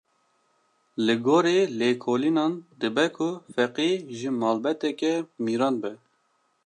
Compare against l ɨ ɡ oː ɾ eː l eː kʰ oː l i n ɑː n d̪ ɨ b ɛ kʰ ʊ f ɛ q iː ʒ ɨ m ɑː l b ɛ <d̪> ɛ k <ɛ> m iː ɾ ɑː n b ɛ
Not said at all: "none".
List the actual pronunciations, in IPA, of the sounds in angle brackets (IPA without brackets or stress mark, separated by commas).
t̪, ɛ